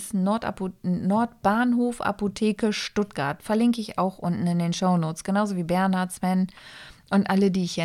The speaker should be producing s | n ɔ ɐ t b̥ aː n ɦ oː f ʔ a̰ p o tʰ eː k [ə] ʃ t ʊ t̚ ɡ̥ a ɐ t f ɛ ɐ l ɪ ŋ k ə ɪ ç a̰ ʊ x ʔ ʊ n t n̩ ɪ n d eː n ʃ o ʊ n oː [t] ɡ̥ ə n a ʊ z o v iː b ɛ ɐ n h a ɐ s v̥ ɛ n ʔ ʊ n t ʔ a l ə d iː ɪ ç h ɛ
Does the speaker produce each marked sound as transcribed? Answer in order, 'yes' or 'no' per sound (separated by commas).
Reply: yes, no